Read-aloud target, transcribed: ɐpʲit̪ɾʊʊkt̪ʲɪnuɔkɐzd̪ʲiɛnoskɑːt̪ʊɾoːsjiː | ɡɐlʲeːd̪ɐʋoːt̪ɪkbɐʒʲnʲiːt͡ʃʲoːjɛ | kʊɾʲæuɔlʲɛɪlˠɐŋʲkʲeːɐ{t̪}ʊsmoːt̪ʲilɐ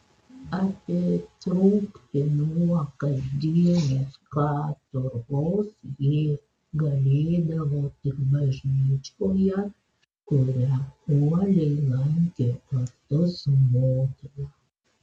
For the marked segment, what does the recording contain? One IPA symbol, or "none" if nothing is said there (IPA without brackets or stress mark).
t̪